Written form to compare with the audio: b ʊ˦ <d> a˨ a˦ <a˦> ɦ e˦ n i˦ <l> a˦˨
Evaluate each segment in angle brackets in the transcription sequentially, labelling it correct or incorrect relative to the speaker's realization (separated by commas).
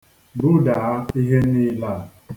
correct, incorrect, correct